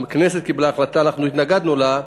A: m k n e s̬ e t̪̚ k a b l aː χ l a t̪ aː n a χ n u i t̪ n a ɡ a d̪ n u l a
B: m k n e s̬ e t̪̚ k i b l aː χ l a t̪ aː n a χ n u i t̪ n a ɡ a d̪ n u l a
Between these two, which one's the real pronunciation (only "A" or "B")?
B